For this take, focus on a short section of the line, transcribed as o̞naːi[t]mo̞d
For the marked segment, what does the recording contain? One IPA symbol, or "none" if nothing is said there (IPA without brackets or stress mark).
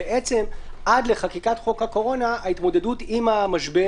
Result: t